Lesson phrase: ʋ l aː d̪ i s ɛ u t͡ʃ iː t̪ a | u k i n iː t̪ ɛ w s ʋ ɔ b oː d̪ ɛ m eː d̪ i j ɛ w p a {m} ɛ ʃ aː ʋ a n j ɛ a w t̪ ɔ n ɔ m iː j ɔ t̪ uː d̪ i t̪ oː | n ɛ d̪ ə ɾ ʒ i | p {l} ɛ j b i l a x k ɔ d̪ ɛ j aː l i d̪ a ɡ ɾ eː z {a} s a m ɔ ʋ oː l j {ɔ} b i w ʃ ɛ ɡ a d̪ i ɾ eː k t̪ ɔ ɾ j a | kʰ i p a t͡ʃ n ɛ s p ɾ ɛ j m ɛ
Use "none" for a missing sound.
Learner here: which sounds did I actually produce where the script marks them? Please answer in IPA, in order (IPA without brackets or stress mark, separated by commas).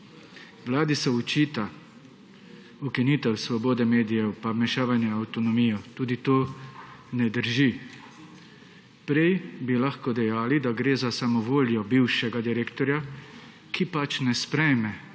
m, ɾ, a, ɔ